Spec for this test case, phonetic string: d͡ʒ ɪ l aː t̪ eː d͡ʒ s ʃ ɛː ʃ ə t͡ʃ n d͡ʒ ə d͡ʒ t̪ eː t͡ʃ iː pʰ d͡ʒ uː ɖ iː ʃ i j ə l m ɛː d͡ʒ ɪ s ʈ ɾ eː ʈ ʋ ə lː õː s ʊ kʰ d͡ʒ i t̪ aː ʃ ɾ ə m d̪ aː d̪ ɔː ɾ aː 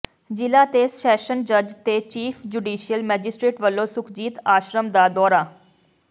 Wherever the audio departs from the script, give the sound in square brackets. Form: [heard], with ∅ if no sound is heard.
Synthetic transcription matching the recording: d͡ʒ ɪ l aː t̪ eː [∅] s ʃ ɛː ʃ ə [∅] n d͡ʒ ə d͡ʒ t̪ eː t͡ʃ iː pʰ d͡ʒ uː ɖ iː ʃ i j ə l m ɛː d͡ʒ ɪ s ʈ ɾ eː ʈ ʋ ə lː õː s ʊ kʰ d͡ʒ [iː] t̪ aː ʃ ɾ ə m d̪ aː d̪ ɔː ɾ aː